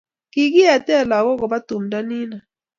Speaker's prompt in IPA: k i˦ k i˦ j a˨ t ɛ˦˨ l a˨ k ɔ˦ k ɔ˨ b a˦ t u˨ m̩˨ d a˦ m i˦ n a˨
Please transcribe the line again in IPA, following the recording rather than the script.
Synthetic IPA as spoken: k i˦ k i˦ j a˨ t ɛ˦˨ l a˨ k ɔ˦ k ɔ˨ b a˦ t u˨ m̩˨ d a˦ n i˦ n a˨